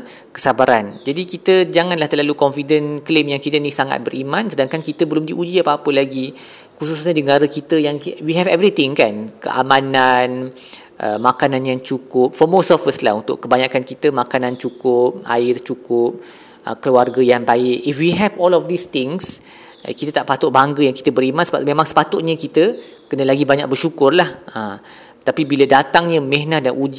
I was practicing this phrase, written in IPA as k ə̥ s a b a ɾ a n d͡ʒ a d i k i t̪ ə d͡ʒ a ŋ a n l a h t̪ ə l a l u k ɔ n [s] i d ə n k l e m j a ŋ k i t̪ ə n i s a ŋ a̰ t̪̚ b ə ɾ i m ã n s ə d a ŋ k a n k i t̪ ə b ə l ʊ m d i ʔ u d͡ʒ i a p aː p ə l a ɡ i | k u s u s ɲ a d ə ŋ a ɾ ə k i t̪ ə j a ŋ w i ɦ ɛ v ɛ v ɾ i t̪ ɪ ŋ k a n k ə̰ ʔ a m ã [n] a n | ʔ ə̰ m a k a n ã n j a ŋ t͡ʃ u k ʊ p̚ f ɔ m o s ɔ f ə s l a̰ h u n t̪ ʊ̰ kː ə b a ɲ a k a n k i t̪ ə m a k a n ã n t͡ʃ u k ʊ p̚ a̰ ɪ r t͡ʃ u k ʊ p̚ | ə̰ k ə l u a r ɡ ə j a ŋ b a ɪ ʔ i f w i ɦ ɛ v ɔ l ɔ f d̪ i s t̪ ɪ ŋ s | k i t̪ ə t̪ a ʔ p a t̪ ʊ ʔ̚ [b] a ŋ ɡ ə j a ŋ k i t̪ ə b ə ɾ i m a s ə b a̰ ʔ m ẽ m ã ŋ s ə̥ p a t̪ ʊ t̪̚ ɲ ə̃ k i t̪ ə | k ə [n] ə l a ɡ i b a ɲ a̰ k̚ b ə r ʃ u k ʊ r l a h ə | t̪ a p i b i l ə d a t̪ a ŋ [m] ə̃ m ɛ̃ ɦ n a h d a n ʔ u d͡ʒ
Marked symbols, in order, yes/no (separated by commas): no, yes, yes, yes, no